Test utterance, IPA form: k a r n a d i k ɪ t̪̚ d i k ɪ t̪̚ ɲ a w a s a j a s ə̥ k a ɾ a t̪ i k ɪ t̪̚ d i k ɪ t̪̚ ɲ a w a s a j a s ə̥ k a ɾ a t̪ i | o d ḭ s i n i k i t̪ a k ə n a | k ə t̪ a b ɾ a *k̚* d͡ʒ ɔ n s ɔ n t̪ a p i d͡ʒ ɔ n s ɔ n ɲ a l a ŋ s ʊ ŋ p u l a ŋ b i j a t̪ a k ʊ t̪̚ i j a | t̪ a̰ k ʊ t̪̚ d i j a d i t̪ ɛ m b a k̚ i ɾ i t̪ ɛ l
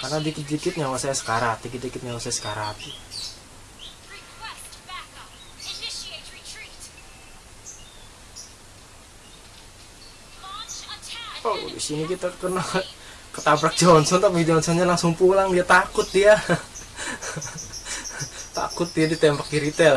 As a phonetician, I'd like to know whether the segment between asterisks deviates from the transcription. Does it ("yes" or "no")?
no